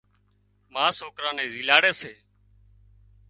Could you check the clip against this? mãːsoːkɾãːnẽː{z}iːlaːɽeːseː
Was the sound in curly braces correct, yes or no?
yes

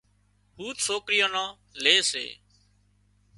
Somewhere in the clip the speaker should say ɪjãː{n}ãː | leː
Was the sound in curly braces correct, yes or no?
yes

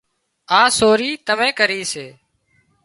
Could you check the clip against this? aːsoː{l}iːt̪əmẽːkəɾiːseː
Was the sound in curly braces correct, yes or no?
no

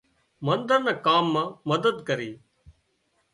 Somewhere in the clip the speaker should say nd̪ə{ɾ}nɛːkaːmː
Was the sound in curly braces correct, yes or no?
yes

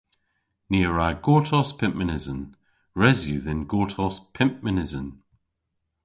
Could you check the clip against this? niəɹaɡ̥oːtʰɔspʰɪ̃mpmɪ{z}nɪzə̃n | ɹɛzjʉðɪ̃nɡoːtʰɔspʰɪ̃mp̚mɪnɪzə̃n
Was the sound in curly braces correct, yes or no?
no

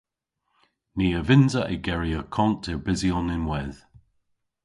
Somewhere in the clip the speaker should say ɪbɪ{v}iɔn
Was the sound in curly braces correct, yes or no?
no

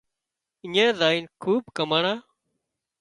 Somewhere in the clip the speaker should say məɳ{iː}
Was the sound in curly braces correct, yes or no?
no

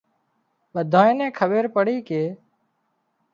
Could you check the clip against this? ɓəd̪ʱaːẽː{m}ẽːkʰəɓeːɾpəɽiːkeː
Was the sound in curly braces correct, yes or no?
no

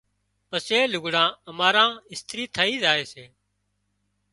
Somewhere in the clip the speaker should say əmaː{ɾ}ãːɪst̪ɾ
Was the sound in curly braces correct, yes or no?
yes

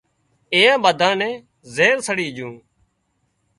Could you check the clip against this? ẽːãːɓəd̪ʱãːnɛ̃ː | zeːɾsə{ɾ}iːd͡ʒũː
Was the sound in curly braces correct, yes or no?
no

